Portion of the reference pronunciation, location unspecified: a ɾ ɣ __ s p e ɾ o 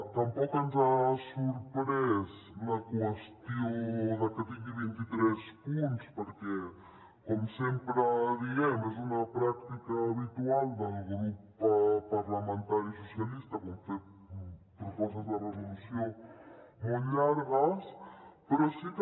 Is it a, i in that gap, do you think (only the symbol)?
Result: a